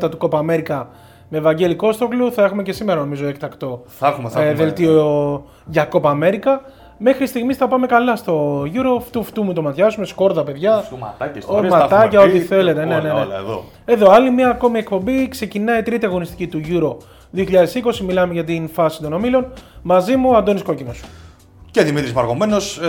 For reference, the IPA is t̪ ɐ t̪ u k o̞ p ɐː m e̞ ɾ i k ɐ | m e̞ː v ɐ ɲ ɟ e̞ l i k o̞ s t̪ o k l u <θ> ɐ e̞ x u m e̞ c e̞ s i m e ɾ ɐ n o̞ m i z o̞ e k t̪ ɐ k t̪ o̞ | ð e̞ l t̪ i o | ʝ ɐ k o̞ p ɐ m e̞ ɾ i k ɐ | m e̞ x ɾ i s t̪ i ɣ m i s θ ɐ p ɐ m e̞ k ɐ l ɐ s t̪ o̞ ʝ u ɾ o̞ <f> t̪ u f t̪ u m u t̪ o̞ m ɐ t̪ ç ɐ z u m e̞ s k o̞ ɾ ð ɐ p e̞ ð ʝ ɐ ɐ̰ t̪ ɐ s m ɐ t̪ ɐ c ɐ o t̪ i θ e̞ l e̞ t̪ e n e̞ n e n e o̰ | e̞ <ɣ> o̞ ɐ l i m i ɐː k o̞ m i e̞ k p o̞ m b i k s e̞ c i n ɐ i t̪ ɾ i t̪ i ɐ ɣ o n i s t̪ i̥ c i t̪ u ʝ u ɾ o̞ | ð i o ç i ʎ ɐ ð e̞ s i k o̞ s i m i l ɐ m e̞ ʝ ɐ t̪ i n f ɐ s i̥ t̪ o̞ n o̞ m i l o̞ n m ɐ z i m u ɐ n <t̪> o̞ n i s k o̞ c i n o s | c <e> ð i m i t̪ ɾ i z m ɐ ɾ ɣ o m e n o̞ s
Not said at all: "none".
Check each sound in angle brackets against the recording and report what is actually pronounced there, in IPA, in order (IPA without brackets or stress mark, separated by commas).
θ, f, ð, d̪, e